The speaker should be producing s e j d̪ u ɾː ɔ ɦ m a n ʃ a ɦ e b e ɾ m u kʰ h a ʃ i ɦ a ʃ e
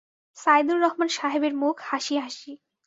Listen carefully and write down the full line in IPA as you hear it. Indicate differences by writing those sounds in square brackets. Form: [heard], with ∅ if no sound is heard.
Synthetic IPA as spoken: s [a] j d̪ u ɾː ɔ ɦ m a n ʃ a ɦ e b e ɾ m u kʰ h a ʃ i ɦ a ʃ [i]